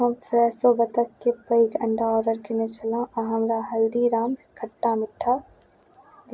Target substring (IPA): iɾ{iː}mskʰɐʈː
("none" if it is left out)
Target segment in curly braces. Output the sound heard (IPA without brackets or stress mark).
aː